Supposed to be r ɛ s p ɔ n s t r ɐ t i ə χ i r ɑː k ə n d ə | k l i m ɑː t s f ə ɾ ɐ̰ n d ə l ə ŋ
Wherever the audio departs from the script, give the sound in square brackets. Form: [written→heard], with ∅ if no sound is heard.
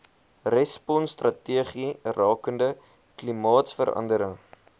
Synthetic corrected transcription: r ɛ s p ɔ n s t r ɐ t i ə χ i r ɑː k ə n d ə | k l i m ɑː t s f ə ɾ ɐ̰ n d ə [l→ɾ] ə ŋ